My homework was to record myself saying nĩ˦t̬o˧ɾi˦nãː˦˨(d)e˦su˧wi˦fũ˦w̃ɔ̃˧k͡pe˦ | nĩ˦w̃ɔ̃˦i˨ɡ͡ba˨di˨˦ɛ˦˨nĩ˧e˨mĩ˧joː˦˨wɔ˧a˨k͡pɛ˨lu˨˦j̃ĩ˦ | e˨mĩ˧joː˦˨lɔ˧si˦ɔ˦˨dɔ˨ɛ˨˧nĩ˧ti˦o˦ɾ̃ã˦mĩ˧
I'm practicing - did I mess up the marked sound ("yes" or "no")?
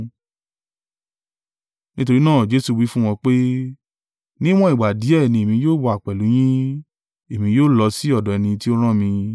yes